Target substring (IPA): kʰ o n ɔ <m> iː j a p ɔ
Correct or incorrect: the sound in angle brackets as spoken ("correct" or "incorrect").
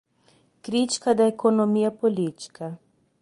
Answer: correct